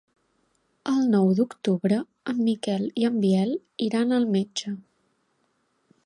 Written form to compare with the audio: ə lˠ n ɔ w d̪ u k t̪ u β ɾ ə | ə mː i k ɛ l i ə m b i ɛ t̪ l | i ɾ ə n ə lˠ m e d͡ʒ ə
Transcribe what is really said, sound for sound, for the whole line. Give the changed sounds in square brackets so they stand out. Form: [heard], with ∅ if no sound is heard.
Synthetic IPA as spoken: ə lˠ n ɔ w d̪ u k t̪ u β ɾ ə | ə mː i k ɛ l i ə m b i ɛ [∅] l | i ɾ [a] n ə lˠ m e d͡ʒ ə